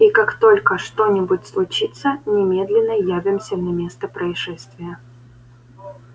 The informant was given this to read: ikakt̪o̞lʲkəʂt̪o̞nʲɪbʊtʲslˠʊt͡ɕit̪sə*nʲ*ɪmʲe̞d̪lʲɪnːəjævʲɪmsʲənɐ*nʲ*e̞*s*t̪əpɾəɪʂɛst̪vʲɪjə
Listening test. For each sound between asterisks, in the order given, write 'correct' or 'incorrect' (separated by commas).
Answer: correct, incorrect, correct